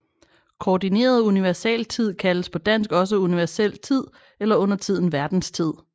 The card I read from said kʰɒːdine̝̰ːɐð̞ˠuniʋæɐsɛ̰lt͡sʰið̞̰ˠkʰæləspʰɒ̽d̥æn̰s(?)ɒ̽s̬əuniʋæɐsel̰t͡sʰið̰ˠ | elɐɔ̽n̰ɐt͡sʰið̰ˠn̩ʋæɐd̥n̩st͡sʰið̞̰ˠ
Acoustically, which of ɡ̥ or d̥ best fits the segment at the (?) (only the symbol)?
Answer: ɡ̥